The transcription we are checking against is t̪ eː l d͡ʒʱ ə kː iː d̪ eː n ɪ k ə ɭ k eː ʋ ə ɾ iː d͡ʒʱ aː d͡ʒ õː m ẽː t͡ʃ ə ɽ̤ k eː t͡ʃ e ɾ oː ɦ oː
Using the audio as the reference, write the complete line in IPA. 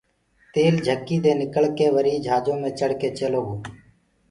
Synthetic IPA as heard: t̪ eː l d͡ʒʱ ə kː iː d̪ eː n ɪ k ə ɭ k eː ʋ ə ɾ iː d͡ʒʱ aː d͡ʒ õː m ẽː t͡ʃ ə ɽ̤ k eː t͡ʃ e l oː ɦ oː